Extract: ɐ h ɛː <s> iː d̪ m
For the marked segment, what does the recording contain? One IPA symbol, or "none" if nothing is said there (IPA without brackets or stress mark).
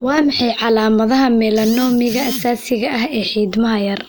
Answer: ħ